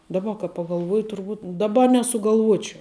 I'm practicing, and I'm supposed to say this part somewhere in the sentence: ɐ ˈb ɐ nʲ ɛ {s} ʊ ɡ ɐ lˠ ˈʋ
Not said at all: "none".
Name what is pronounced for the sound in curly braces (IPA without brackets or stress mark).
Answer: s